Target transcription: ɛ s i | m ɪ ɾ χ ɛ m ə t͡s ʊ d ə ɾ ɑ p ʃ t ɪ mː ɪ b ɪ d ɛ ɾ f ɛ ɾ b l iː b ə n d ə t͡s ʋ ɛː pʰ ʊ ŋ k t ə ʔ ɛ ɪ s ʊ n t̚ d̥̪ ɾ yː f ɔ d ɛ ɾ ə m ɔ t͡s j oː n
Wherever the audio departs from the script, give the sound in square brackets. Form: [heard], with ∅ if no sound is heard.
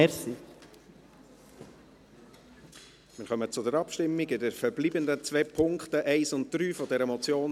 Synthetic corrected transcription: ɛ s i | m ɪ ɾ χ [œ] m ə t͡s ʊ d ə ɾ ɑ p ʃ t ɪ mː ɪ [ɡ] ɪ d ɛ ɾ f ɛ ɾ b l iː b ə n d ə t͡s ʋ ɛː pʰ ʊ ŋ k t ə ʔ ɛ ɪ s ʊ n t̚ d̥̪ ɾ yː f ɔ d ɛ ɾ ə m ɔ t͡s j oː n